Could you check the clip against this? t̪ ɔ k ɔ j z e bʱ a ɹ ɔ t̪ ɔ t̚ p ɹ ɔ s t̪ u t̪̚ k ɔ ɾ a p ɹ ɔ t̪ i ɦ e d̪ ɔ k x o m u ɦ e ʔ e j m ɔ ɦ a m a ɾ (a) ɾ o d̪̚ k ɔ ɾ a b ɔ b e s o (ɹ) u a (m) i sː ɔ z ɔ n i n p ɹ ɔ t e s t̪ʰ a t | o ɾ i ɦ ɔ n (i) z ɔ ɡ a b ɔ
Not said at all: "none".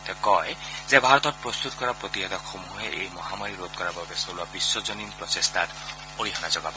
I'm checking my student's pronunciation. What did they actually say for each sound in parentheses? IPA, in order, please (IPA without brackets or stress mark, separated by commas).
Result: i, l, b, a